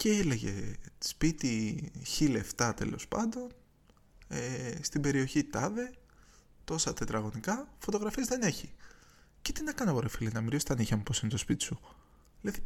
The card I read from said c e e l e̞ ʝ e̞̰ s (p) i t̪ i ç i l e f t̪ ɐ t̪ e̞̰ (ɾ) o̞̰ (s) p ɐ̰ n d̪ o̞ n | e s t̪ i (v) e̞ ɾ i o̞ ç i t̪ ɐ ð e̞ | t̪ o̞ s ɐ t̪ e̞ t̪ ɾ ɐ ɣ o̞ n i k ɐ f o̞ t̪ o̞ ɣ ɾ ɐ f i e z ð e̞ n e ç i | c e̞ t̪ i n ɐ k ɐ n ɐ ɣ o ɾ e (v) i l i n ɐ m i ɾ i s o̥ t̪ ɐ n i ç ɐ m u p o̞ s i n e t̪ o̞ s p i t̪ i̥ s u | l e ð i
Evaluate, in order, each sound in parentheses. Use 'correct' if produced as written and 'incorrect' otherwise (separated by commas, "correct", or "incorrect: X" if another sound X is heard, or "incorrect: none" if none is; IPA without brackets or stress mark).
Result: correct, incorrect: l, correct, incorrect: b, incorrect: f